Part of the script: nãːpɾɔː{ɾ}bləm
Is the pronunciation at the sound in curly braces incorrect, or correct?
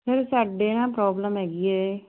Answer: incorrect